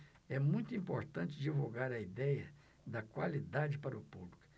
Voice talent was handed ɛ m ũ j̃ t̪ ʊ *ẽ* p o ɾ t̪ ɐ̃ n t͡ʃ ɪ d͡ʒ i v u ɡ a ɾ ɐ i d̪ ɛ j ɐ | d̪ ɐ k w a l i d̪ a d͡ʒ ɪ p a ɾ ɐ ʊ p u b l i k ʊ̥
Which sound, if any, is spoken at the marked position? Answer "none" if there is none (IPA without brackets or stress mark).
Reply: ĩ